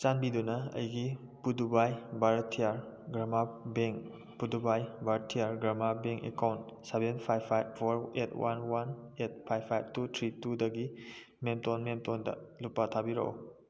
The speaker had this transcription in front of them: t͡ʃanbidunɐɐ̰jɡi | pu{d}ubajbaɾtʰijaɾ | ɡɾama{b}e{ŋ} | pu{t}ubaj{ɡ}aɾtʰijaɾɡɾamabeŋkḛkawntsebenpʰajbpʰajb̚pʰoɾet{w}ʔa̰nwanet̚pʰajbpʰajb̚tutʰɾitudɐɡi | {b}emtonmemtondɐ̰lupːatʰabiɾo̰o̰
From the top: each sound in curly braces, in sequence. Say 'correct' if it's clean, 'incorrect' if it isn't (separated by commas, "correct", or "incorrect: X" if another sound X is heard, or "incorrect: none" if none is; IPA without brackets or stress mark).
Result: correct, correct, correct, incorrect: d, incorrect: b, correct, incorrect: m